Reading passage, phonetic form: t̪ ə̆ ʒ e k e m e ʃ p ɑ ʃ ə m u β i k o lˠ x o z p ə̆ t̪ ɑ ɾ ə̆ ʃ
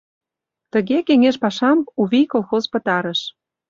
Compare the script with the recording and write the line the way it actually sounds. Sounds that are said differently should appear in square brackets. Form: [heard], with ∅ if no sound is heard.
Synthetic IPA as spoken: t̪ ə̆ [ɣ] e k e [ŋ] e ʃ p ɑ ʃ [ɑ] m u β i k o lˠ x o z p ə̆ t̪ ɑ ɾ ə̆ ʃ